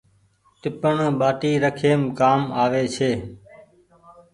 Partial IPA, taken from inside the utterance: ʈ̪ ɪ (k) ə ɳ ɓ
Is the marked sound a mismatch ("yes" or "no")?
yes